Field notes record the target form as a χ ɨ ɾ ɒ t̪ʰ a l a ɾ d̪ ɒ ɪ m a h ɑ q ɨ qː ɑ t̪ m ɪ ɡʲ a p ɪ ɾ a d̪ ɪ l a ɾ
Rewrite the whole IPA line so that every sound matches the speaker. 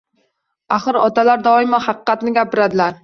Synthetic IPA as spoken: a χ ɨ ɾ ɒ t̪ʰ a l a ɾ d̪ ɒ ɪ m a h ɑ q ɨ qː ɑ t̪ n ɪ ɡʲ a p ɪ ɾ a d̪ ɪ l a ɾ